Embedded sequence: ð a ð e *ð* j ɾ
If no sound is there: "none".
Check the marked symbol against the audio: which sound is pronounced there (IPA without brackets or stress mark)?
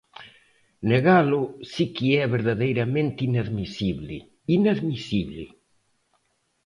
none